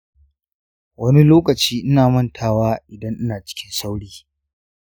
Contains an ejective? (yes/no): no